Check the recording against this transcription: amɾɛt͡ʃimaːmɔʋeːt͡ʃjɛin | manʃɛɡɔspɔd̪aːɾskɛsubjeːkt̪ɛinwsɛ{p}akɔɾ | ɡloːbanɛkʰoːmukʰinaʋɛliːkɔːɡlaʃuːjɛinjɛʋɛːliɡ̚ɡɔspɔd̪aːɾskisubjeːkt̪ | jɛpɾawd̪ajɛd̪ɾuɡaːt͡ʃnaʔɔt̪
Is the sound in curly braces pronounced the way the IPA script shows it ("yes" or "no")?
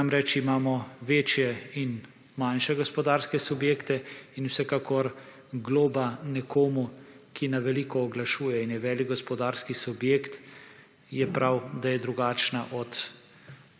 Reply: no